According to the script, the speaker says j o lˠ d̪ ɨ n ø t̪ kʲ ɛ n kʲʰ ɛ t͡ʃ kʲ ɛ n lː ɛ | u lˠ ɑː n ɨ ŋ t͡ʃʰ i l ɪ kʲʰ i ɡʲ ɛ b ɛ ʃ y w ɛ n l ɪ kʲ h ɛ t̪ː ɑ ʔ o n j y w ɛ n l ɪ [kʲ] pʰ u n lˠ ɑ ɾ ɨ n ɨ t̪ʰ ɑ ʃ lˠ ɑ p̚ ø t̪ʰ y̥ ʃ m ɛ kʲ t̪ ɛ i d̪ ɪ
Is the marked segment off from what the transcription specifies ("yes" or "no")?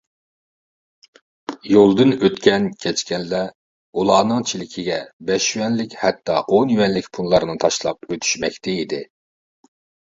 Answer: no